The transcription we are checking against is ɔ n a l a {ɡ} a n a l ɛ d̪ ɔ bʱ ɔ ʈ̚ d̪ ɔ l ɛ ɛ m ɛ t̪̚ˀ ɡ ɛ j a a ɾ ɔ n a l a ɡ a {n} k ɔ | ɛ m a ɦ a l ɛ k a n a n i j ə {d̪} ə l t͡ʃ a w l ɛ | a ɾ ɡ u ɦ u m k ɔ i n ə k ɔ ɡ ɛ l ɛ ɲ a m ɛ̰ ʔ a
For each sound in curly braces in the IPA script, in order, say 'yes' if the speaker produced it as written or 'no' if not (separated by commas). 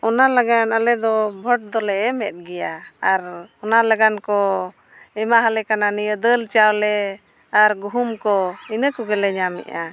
yes, yes, yes